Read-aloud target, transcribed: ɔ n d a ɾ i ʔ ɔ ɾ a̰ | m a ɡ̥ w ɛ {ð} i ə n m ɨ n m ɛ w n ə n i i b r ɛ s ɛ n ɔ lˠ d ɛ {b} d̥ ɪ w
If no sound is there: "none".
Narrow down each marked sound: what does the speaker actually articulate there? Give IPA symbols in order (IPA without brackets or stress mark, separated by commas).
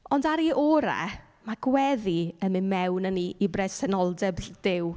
ð, b